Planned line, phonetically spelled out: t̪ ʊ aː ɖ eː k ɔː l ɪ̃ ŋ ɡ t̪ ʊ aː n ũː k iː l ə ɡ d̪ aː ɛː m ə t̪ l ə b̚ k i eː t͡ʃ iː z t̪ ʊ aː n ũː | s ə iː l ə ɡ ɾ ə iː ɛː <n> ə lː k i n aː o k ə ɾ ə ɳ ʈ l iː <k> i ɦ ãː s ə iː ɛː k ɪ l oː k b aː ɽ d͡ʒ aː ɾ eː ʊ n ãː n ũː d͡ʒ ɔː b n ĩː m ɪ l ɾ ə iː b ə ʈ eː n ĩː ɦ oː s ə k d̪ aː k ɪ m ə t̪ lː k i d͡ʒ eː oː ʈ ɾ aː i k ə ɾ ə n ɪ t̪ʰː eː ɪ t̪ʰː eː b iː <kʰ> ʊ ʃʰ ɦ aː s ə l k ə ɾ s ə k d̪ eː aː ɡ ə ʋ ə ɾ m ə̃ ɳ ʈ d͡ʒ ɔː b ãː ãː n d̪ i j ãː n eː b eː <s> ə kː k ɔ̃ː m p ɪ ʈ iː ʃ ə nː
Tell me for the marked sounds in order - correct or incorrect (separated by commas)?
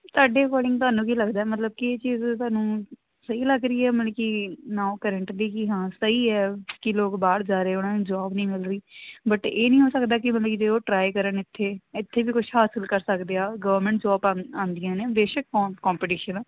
incorrect, correct, incorrect, incorrect